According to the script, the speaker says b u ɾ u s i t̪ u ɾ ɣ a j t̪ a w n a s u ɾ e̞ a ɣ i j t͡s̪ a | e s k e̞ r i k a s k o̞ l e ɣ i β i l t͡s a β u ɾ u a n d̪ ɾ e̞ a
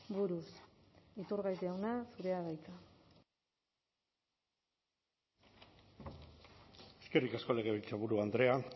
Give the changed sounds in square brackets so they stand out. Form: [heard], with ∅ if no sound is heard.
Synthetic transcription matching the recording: b u ɾ u s i t̪ u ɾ ɣ a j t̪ a w n a s u ɾ e̞ a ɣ [a] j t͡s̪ a | e s k e̞ r i k a s k o̞ l e ɣ [e] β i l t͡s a β u ɾ u a n d̪ ɾ e̞ a